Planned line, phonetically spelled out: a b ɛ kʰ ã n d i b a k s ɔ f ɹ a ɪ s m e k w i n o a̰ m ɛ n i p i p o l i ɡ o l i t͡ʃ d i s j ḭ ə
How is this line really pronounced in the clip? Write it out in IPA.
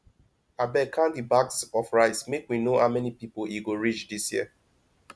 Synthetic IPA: a b ɛ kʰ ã n d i b a k s ɔ f ɹ a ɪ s m e k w i n o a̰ m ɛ n i p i p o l i ɡ o ɹ i t͡ʃ d i s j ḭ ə